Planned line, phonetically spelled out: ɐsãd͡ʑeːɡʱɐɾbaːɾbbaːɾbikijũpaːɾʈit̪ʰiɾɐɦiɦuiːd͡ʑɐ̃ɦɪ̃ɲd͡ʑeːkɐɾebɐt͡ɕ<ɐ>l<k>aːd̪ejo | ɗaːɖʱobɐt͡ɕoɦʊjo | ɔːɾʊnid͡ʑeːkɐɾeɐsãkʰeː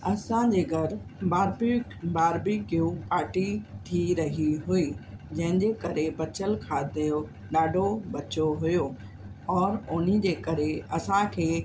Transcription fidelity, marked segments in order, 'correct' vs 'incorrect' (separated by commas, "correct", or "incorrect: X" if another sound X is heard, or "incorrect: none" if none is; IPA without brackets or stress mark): incorrect: ə, incorrect: kʰ